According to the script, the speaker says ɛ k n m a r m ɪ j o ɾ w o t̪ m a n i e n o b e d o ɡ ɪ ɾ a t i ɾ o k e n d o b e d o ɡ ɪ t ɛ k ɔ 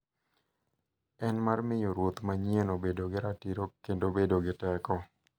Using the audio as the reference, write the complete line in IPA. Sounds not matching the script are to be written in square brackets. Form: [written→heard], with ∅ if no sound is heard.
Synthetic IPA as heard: ɛ [k→∅] n m a r m ɪ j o ɾ w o t̪ m a [n→ɲ] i e n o b e d o ɡ ɪ ɾ a t i ɾ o k e n d o b e d o ɡ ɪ t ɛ k ɔ